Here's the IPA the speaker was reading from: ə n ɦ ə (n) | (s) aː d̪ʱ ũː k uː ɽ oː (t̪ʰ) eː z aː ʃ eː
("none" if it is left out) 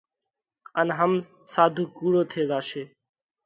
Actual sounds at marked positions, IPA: m, s, t̪ʰ

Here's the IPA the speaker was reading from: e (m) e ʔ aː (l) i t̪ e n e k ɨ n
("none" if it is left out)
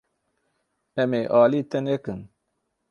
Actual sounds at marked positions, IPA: m, l

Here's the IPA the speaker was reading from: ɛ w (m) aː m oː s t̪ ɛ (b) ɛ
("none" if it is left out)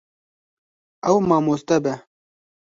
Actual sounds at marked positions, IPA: m, b

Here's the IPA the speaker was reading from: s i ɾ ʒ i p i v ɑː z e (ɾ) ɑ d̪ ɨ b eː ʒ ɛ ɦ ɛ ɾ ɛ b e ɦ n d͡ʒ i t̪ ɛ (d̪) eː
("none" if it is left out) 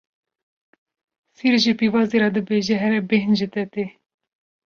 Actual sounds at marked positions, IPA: ɾ, t̪

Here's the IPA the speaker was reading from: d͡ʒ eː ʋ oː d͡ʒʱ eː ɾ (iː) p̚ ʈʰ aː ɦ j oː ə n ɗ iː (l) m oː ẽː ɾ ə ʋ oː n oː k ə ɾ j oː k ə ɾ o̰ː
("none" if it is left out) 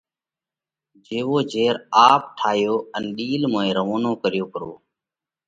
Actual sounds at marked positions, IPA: aː, l

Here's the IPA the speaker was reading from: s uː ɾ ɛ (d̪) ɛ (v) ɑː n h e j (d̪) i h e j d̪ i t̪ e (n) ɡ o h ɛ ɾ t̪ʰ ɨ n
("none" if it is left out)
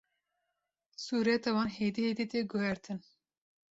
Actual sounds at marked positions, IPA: t̪, w, d̪, none

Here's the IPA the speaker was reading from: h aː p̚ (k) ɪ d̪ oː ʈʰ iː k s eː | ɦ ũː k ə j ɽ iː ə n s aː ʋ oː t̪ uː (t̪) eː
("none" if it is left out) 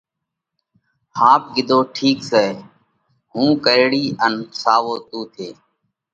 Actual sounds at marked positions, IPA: ɡ, t̪ʰ

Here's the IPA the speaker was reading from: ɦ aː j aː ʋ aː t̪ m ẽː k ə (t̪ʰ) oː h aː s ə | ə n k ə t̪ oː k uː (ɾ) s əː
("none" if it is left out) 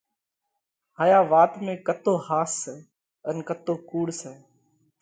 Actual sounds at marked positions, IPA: t̪, ɽ

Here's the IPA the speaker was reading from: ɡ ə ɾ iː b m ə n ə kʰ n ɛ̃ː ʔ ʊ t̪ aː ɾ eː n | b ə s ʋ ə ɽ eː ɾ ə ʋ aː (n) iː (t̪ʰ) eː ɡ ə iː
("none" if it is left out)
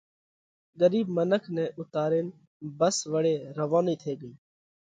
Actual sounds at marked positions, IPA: n, t̪ʰ

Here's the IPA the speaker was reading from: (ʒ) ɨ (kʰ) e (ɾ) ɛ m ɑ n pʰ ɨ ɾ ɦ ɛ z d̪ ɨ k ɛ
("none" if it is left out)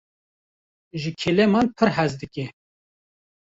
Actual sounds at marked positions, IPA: ʒ, kʰ, l

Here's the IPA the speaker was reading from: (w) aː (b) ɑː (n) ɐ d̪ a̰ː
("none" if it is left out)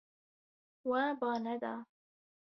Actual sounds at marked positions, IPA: w, b, n

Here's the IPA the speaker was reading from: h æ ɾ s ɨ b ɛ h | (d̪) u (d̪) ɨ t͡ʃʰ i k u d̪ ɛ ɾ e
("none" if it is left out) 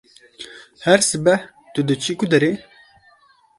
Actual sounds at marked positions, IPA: t̪, d̪

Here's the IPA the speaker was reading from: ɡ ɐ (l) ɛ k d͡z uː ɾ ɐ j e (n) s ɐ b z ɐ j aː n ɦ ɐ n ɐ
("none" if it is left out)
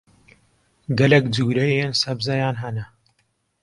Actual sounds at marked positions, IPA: l, n

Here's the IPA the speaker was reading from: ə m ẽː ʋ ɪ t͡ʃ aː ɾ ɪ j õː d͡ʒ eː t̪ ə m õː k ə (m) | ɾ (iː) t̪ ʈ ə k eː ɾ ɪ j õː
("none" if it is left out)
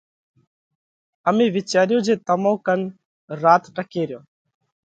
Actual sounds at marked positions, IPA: n, aː

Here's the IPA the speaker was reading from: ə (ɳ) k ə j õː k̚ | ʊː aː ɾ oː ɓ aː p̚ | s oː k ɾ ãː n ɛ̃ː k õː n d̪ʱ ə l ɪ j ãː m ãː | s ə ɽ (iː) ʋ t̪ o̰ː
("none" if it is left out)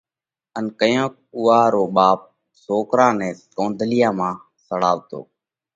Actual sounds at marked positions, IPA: n, aː

